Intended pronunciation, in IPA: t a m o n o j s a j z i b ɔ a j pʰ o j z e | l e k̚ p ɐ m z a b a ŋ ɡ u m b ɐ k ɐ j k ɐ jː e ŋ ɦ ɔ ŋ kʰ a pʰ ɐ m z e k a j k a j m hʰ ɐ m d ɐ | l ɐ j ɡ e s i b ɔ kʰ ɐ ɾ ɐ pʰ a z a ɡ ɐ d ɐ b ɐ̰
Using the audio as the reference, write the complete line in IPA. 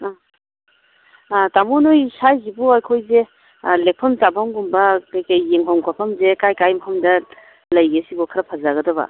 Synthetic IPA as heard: t a m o n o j s a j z i b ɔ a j kʰ o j z e | l e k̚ pʰ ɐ m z a b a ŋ ɡ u m b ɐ k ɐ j k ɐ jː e ŋ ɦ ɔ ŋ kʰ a pʰ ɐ m z e k a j k a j m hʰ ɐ m d ɐ | l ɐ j ɡ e s i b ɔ kʰ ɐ ɾ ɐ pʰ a z a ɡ ɐ d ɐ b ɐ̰

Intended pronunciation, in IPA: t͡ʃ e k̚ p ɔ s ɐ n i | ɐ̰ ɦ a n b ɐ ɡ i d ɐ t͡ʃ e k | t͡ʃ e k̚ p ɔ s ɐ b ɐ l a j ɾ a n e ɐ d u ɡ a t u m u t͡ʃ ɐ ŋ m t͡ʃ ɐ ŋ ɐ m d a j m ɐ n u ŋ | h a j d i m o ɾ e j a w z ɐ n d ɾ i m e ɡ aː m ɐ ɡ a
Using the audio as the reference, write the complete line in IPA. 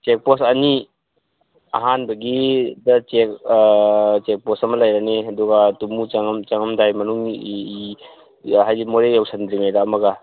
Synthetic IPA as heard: t͡ʃ e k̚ p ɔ s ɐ n i | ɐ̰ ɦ a n b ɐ ɡ i d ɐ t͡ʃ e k | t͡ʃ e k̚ p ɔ s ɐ m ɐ l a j ɾ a n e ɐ d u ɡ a t u m u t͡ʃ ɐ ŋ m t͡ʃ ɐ ŋ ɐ m d a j m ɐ n u ŋ | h a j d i m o ɾ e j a w s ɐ n d ɾ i m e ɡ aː m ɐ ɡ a

